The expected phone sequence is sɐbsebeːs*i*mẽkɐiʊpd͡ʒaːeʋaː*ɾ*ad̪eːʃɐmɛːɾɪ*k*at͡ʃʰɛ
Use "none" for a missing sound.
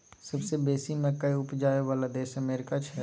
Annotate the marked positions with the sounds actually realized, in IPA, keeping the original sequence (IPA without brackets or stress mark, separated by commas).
i, l, k